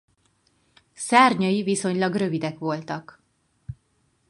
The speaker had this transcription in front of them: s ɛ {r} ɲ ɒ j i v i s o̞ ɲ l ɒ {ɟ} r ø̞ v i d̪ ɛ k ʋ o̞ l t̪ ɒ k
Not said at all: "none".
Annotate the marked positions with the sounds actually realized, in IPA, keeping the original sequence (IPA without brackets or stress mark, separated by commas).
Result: r, ɡ